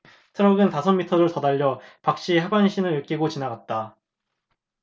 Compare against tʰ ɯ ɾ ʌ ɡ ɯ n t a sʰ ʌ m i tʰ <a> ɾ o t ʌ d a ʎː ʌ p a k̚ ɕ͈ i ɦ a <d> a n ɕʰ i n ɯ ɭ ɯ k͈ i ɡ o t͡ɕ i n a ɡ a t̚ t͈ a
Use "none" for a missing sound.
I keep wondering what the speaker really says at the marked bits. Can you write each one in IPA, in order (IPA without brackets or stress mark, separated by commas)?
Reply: ʌ, b